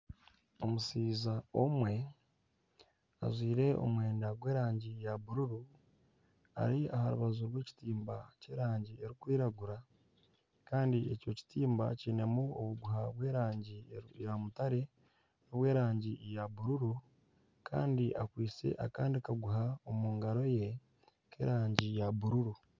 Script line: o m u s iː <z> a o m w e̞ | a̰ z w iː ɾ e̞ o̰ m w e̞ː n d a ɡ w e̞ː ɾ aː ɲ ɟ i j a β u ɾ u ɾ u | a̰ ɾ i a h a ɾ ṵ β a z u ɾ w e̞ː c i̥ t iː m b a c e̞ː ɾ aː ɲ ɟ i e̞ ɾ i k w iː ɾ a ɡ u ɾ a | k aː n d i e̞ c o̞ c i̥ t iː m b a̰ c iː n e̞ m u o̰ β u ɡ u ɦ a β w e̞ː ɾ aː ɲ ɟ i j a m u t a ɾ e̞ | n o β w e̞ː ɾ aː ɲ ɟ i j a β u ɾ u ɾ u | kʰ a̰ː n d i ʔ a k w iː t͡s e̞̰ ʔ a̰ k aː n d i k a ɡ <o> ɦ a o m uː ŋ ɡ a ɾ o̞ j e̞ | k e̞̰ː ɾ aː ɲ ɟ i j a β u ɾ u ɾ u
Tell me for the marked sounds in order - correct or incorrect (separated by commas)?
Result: correct, incorrect